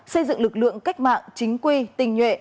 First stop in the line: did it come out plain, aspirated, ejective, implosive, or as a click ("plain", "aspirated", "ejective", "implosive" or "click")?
plain